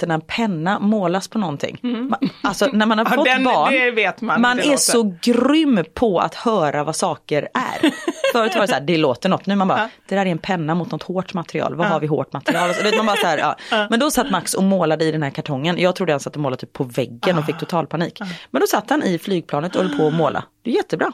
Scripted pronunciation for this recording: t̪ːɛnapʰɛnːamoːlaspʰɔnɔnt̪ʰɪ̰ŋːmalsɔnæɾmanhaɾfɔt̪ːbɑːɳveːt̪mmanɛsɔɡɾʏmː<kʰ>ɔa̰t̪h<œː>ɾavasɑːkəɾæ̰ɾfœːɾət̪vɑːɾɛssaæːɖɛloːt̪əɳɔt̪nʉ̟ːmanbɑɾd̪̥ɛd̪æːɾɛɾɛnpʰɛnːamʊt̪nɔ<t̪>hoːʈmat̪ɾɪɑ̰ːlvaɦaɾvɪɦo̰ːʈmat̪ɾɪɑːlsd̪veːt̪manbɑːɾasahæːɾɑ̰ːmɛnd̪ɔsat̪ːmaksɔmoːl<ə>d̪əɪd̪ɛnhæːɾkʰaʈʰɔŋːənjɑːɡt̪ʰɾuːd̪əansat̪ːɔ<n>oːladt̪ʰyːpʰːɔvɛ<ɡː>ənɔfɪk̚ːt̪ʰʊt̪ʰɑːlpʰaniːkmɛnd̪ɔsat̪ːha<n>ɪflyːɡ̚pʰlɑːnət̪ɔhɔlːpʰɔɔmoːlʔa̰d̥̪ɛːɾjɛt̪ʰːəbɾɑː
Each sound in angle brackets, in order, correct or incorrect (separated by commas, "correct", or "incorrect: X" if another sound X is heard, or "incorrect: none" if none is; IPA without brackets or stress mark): incorrect: pʰ, correct, correct, incorrect: a, incorrect: m, correct, correct